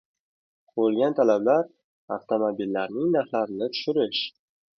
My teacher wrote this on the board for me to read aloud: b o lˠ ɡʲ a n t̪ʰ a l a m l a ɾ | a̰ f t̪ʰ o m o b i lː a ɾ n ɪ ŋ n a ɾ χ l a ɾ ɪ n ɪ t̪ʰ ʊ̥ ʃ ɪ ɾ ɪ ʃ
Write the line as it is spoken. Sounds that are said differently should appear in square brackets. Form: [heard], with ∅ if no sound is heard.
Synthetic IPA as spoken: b o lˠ ɡʲ a n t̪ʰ a l a [b] l a ɾ | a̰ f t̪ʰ o m o b i lː a ɾ n ɪ ŋ n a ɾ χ l a ɾ ɪ n ɪ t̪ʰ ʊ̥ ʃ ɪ ɾ ɪ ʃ